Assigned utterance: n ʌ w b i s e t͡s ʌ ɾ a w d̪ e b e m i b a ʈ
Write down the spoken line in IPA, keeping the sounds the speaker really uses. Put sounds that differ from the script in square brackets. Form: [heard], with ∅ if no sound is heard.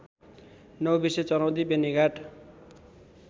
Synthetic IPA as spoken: n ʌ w b i s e t͡s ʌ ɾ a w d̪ [i] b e [n] i [ɡ] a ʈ